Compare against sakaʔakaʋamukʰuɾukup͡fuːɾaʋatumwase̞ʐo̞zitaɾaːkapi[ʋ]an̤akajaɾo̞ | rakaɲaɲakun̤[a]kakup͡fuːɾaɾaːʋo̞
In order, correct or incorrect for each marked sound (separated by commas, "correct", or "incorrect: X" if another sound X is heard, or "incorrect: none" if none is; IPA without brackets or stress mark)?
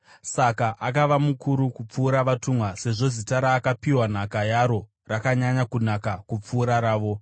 incorrect: w, correct